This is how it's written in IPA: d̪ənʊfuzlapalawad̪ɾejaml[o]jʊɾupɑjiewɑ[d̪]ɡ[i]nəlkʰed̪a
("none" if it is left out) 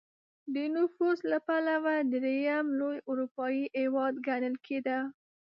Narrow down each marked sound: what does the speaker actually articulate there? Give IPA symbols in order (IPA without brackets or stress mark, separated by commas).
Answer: o, d̪, a